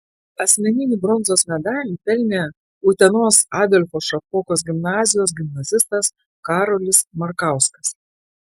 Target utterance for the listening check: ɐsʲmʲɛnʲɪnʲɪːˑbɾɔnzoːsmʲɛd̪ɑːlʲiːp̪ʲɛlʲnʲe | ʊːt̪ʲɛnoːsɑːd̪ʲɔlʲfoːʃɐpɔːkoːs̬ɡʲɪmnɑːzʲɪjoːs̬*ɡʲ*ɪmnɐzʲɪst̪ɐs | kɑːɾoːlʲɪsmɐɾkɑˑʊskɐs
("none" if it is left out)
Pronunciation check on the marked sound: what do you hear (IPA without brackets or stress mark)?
ɡʲ